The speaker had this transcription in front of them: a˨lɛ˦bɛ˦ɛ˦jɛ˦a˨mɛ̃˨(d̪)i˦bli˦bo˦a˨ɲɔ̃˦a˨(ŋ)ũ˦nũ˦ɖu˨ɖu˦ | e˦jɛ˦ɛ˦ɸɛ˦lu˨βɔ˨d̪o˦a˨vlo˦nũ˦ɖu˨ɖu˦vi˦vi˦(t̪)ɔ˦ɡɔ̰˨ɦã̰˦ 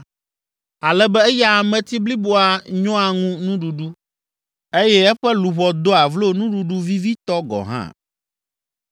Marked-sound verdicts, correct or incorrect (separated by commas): incorrect, correct, correct